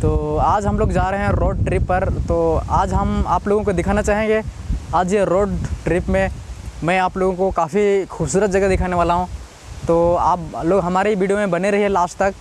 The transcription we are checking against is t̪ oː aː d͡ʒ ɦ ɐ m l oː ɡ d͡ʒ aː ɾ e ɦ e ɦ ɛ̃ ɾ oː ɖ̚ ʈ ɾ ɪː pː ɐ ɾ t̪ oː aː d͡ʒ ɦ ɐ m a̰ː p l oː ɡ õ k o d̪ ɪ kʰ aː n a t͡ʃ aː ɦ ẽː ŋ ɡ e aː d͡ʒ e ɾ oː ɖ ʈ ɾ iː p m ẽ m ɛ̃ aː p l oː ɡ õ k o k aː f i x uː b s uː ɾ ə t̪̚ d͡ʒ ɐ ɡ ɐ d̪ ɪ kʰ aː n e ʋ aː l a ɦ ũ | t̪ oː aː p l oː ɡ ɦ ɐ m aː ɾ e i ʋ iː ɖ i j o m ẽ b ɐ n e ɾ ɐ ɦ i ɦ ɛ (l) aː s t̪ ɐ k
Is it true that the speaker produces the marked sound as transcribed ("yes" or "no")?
yes